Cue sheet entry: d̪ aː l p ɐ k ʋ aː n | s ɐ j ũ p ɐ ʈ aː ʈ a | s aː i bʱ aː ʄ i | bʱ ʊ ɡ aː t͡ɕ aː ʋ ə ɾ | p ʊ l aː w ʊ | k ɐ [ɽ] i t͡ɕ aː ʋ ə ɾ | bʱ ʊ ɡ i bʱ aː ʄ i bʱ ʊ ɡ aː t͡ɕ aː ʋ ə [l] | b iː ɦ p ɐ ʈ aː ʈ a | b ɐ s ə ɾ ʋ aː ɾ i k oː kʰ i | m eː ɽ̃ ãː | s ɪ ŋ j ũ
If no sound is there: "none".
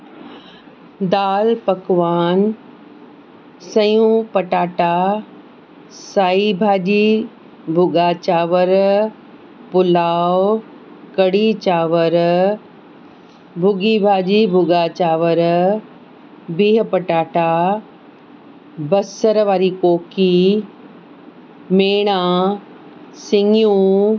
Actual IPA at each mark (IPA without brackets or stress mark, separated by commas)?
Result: ɽ, ɾ